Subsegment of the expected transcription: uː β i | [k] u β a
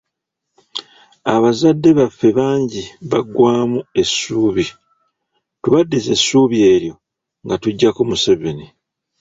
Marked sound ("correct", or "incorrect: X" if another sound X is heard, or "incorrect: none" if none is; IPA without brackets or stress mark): incorrect: t